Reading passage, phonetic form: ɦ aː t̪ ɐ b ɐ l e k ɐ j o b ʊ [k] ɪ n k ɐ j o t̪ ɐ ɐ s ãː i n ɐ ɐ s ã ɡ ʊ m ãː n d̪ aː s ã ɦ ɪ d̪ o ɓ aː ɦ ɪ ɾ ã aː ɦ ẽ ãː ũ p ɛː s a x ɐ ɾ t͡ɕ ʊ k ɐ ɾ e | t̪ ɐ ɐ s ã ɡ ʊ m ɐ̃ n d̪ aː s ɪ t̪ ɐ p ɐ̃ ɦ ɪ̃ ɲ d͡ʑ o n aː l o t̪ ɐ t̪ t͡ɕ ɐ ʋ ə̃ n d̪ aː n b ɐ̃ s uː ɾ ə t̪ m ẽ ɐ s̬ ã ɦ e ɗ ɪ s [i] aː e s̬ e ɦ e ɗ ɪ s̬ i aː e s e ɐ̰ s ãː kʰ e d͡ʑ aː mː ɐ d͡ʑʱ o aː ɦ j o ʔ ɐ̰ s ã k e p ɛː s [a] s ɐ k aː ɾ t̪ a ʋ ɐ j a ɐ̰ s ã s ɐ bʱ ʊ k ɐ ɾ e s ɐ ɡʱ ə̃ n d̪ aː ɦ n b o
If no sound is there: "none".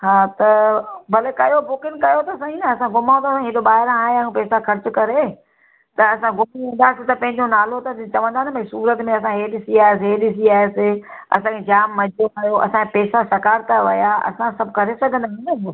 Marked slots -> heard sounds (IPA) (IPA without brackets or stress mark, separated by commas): k, i, a